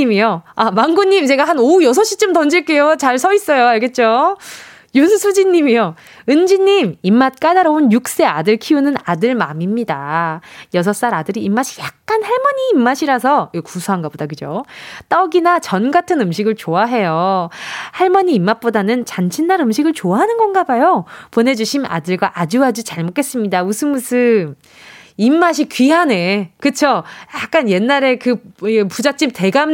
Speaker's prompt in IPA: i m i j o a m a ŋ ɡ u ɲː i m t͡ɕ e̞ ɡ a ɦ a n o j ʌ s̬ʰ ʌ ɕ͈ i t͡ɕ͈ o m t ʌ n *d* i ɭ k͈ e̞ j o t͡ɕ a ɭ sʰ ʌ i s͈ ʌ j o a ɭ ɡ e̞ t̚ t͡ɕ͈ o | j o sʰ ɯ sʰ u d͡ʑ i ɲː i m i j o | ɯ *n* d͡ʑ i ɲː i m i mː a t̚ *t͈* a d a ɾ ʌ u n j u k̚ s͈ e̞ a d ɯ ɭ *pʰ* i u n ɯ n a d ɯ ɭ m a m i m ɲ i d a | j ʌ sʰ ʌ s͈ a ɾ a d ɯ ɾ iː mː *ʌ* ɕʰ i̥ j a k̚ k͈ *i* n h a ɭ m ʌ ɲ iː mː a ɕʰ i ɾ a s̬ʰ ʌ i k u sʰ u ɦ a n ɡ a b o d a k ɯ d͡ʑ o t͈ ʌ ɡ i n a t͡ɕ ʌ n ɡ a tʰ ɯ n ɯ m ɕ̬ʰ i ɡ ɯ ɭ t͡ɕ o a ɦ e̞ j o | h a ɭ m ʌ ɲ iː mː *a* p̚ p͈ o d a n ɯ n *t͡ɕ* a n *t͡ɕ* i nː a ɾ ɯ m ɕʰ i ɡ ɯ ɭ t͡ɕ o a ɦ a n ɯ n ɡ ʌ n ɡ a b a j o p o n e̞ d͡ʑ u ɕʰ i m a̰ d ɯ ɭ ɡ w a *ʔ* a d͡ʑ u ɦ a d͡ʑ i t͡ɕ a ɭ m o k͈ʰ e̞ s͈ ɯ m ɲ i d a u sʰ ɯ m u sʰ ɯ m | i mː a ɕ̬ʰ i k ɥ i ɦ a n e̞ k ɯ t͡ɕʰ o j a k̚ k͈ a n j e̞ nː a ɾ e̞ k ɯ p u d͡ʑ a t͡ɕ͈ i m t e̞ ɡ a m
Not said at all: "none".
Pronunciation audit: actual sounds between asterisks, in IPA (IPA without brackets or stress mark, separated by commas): d͡ʑ, n, k͈, kʰ, a, a, a, t͡ɕ, t͡ɕʰ, ʔ